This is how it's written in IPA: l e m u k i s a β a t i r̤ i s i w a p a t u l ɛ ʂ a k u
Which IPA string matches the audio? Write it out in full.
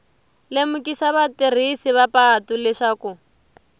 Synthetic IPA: l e m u k i s a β a t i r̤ i s i β a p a t u l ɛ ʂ a k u